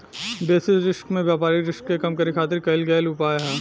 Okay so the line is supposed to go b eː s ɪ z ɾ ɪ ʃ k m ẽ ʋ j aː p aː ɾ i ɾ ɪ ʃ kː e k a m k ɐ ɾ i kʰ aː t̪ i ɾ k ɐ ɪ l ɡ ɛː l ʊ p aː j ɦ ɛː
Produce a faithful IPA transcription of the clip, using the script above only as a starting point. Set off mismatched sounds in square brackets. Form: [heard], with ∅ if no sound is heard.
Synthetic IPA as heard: b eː s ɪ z ɾ ɪ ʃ k m ẽ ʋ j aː p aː ɾ i ɾ ɪ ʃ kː e k [ɐ] m k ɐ ɾ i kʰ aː t̪ [ɪ] ɾ k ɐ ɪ l ɡ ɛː l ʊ p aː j ɦ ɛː